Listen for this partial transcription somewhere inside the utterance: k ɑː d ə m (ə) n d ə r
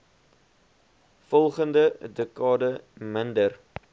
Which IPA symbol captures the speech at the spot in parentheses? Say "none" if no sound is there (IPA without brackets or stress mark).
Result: ə